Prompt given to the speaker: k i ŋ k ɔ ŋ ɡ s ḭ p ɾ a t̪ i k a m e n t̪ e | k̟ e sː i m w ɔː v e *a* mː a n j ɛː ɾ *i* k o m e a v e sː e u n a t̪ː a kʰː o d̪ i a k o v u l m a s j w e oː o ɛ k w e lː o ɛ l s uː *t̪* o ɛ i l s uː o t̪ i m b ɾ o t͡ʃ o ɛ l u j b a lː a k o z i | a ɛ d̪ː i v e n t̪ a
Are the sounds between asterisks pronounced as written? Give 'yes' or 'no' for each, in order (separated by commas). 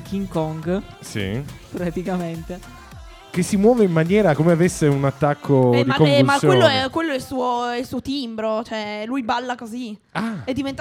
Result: no, no, no